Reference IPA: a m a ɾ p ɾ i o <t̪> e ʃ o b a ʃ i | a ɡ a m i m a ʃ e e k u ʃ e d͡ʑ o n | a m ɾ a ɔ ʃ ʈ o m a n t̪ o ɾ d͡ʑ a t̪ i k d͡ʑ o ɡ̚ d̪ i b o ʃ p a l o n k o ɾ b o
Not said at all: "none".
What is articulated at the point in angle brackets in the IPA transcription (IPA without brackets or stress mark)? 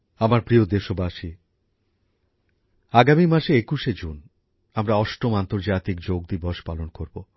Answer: d̪